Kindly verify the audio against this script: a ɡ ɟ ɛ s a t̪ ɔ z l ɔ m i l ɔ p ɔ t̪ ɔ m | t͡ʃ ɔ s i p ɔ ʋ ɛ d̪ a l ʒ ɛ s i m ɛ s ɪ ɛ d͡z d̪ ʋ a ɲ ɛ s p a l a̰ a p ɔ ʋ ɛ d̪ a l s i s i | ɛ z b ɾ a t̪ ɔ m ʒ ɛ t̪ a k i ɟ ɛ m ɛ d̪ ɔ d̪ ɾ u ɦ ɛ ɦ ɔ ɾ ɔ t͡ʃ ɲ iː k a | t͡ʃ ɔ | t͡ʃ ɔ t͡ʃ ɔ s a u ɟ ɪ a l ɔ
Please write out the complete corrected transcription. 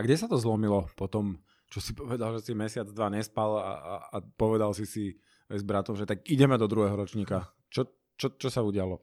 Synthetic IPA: a ɡ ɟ ɛ s a t̪ ɔ z l ɔ m i l ɔ p ɔ t̪ ɔ m | t͡ʃ ɔ s i p ɔ ʋ ɛ d̪ a l ʒ ɛ s i m ɛ s ɪ a d͡z d̪ ʋ a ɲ ɛ s p a l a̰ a p ɔ ʋ ɛ d̪ a l s i s i | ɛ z b ɾ a t̪ ɔ m ʒ ɛ t̪ a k i ɟ ɛ m ɛ d̪ ɔ d̪ ɾ u ɦ ɛ ɦ ɔ ɾ ɔ t͡ʃ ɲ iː k a | t͡ʃ ɔ | t͡ʃ ɔ t͡ʃ ɔ s a u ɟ ɪ a l ɔ